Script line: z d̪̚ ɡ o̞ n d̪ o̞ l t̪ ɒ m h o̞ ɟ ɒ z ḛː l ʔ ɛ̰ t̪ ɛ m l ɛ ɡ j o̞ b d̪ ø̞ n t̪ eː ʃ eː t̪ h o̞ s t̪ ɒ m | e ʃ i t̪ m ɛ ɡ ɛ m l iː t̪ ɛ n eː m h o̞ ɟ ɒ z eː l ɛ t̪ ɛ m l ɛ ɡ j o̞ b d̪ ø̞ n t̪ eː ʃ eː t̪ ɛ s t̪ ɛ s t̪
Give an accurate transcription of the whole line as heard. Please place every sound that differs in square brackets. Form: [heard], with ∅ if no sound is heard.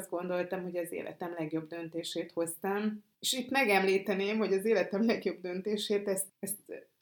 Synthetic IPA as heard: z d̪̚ ɡ o̞ n d̪ o̞ l t̪ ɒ m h o̞ ɟ ɒ z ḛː l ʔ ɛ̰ t̪ ɛ m l ɛ ɡ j o̞ b d̪ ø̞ n t̪ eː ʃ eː t̪ h o̞ s t̪ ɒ m | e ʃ i t̪ m ɛ ɡ ɛ m l iː t̪ ɛ n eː m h o̞ ɟ ɒ z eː l ɛ t̪ ɛ m l ɛ ɡ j o̞ b d̪ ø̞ n t̪ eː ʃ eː t̪ ɛ s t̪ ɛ s t̪